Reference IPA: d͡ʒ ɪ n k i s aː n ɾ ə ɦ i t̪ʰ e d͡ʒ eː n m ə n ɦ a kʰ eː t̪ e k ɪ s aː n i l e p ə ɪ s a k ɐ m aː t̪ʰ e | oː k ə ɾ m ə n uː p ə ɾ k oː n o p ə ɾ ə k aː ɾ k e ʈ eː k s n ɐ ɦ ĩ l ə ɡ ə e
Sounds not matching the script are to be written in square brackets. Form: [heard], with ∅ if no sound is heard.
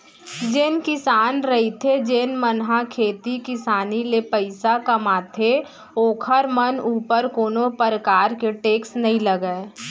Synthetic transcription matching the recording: d͡ʒ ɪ n k [ɪ] s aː n ɾ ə ɦ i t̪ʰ e d͡ʒ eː n m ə n ɦ a kʰ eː t̪ [i] k ɪ s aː n i l e p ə ɪ s a k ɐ m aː t̪ʰ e | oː [kʰ] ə ɾ m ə n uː p ə ɾ k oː n o p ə ɾ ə k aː ɾ k e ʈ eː k s n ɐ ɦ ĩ l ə ɡ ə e